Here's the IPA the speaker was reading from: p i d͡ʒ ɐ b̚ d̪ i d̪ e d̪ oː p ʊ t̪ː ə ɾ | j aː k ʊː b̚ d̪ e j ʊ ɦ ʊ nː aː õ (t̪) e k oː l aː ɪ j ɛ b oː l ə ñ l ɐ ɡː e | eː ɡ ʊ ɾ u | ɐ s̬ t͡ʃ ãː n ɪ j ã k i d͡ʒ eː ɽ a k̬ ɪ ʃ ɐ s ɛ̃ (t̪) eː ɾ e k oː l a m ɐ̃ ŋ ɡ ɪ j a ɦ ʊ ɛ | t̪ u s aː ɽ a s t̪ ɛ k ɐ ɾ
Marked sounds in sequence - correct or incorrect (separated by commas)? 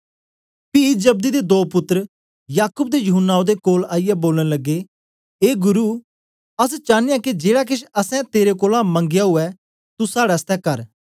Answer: incorrect, correct